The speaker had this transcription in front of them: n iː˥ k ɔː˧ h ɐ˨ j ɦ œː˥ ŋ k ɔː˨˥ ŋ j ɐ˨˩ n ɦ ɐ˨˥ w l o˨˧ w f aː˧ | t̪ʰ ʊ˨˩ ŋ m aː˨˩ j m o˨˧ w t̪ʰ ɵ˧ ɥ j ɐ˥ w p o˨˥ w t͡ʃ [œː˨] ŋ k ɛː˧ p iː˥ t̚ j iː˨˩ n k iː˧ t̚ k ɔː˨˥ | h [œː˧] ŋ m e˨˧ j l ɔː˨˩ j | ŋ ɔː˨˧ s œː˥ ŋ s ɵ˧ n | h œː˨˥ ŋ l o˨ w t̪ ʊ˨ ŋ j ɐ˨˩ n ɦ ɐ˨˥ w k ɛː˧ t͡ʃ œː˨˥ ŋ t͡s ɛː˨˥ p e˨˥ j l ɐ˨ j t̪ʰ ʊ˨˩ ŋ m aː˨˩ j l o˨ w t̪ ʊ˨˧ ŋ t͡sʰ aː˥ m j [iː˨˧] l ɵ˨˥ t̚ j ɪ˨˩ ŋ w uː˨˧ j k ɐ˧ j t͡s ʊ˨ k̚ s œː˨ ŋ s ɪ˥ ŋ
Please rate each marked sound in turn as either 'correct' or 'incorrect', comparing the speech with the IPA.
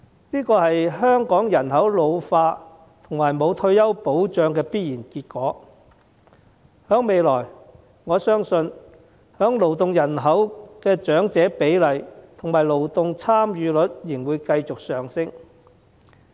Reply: correct, incorrect, incorrect

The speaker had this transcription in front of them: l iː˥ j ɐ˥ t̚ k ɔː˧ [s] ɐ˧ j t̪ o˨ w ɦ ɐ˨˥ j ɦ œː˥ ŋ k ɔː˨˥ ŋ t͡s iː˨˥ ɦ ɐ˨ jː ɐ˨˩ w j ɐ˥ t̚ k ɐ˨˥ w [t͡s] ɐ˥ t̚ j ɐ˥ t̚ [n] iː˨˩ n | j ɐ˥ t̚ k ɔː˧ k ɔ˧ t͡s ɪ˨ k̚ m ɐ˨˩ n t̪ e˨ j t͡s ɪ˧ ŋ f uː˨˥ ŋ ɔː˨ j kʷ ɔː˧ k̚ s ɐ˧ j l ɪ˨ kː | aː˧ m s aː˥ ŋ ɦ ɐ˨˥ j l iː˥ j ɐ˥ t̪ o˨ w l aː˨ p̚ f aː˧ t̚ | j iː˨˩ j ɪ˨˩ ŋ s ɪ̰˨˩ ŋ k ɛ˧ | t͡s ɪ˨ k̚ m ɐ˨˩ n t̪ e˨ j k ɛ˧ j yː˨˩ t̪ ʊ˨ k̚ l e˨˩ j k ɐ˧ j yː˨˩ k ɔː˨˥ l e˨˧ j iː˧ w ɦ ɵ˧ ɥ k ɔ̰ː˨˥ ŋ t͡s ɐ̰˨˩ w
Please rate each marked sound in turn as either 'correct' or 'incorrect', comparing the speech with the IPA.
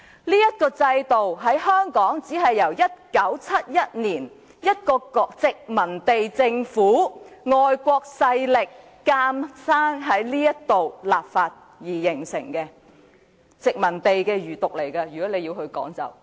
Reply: incorrect, incorrect, correct

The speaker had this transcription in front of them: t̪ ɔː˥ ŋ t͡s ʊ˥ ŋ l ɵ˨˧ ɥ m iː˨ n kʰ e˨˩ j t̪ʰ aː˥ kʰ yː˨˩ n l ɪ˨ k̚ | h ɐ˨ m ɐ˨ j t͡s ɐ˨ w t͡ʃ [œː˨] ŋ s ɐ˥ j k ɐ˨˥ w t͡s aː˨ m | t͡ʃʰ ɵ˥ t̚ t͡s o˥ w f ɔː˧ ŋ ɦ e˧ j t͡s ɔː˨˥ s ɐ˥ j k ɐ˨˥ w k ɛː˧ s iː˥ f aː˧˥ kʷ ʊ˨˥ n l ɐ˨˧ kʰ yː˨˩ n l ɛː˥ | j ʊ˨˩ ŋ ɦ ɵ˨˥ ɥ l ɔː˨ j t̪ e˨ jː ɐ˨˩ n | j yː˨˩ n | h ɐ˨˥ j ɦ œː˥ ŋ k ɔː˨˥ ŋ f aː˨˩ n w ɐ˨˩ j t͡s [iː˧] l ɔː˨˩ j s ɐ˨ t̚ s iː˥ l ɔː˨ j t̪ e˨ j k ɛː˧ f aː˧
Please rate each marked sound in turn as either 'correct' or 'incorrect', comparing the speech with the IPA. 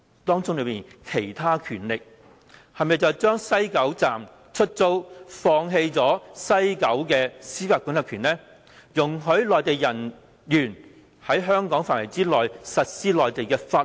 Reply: incorrect, incorrect

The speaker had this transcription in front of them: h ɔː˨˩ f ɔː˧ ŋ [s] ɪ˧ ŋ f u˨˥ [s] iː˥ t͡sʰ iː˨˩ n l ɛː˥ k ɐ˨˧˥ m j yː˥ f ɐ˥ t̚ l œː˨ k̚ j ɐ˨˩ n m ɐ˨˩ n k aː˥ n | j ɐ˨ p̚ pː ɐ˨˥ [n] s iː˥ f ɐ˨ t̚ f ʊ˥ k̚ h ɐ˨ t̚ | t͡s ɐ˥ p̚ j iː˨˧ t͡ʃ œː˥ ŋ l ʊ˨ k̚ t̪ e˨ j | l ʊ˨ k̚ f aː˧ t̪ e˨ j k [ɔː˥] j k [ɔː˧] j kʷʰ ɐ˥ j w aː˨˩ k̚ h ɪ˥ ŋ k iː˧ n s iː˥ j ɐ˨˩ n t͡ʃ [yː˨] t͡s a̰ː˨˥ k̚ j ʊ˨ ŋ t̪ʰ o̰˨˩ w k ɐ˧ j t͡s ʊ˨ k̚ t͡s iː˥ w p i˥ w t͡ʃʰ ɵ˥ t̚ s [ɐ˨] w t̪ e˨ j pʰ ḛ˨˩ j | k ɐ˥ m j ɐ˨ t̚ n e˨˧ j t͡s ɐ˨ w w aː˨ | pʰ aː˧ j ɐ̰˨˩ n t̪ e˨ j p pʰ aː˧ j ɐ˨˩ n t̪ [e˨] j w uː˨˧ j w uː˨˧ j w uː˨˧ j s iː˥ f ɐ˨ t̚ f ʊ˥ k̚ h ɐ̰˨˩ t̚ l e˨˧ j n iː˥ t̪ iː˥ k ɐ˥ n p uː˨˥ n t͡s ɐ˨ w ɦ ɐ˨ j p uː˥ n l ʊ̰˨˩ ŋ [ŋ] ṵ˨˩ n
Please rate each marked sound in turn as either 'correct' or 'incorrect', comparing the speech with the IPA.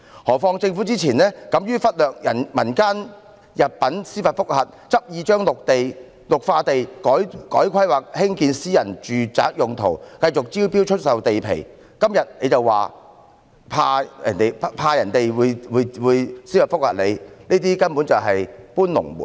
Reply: incorrect, incorrect, correct, incorrect, incorrect, correct, correct, correct, incorrect

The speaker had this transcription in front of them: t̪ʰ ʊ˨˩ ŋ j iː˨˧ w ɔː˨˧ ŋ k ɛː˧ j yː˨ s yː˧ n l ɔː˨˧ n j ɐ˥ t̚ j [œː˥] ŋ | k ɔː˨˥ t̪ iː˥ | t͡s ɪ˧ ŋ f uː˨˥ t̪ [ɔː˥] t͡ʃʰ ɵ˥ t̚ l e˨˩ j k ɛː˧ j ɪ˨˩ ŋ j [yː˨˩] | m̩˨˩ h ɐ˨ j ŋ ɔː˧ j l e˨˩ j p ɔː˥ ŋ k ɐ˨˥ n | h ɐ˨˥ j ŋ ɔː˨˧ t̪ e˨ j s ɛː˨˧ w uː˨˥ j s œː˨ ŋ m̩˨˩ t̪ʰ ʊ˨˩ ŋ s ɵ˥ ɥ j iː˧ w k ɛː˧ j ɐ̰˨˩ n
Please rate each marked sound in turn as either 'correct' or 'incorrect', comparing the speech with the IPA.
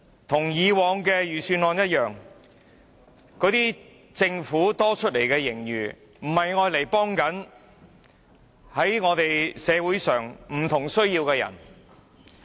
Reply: incorrect, correct, correct

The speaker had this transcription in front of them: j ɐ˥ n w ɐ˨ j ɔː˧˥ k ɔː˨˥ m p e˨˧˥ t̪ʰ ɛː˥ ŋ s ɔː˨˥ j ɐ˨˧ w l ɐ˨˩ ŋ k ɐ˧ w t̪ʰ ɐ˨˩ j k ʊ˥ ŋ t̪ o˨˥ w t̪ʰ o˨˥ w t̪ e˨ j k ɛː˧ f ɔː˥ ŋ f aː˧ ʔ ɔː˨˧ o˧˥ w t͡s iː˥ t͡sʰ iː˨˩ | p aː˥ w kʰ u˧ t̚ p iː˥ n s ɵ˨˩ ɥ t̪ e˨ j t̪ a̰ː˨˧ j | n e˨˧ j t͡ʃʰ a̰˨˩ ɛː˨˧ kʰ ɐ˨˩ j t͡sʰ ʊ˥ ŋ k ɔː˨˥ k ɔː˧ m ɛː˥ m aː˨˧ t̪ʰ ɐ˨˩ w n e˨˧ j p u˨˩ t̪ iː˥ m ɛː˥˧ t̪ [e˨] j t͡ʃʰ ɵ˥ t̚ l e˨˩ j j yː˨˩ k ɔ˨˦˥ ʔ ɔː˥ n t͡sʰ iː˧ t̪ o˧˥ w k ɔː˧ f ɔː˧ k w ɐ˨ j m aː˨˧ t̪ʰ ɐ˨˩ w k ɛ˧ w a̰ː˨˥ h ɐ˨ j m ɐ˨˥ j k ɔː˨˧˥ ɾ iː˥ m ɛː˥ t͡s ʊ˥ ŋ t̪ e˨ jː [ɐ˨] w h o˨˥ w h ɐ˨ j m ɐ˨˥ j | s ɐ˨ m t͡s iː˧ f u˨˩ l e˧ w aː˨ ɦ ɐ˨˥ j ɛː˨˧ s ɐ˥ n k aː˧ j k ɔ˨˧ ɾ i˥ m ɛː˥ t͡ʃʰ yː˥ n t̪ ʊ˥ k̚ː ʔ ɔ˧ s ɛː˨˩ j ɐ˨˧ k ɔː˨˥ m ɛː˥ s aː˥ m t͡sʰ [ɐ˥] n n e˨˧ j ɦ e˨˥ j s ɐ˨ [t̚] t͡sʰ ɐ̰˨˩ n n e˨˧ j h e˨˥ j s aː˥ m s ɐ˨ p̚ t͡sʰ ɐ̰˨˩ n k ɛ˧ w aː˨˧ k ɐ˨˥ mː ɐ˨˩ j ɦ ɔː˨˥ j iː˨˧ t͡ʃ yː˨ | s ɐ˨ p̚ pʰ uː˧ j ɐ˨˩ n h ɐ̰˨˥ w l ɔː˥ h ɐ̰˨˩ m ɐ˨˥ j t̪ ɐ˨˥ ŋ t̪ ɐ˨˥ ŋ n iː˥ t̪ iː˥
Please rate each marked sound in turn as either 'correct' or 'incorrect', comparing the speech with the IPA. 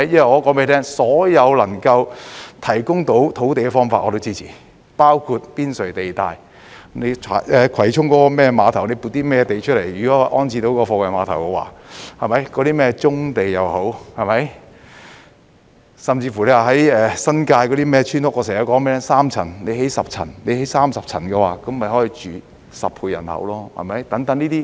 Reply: correct, correct, incorrect, incorrect

